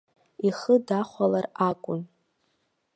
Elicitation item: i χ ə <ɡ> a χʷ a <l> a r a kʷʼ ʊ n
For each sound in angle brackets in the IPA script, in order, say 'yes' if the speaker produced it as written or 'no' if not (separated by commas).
no, yes